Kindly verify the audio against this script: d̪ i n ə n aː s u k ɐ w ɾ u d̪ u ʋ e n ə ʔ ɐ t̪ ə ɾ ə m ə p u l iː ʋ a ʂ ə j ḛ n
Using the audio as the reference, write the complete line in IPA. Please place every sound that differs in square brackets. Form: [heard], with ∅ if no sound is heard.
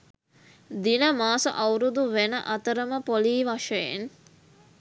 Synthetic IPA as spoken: d̪ i n ə [m] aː s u [ʔ] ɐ w ɾ u d̪ u ʋ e n ə ʔ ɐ t̪ ə ɾ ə m ə p [o] l iː ʋ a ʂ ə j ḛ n